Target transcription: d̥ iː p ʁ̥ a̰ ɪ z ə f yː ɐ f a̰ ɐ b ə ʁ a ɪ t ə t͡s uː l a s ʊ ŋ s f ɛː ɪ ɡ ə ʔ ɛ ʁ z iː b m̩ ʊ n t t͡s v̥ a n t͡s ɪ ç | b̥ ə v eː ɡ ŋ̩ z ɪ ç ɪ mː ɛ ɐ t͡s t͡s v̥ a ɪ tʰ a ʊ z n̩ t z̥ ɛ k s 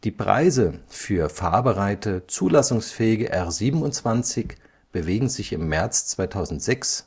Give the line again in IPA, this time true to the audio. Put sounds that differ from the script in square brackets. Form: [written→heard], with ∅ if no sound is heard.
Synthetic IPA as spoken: d̥ iː p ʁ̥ a̰ ɪ z ə f yː ɐ f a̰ ɐ b ə ʁ a ɪ t ə t͡s uː l a s ʊ ŋ s f ɛː ɪ ɡ ə ʔ ɛ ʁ z iː b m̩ ʊ n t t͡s v̥ a n t͡s ɪ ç | b̥ ə v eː ɡ ŋ̩ z ɪ ç ɪ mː ɛ ɐ t͡s t͡s v̥ a ɪ tʰ a ʊ z n̩ t z̥ ɛ k s